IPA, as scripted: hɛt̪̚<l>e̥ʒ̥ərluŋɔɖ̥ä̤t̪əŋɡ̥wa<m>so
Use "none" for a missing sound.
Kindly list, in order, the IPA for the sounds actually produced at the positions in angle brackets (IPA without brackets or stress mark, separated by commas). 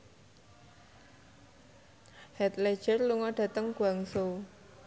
l, ŋ